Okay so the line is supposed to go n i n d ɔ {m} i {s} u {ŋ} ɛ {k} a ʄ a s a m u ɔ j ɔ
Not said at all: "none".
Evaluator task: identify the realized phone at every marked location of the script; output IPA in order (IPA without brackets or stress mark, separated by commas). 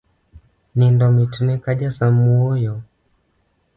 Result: m, t, n, k